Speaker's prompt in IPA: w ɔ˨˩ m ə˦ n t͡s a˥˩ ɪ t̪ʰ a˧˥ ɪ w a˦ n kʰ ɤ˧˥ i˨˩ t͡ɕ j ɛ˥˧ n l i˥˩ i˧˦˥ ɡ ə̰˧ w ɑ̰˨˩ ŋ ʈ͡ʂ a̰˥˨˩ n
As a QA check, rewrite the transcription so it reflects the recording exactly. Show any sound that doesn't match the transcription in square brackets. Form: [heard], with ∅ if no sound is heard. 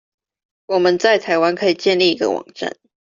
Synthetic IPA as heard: w ɔ˨˩ m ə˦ n t͡s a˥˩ ɪ t̪ʰ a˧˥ ɪ w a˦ n kʰ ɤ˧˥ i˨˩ t͡ɕ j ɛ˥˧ n l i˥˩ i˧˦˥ ɡ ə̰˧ w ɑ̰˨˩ ŋ ʈ͡ʂ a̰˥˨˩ n